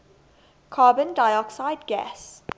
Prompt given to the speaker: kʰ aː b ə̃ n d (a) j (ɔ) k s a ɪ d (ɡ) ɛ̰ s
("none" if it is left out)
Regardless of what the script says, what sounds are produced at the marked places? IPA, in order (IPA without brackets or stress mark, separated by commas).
a, ɔ, ɡ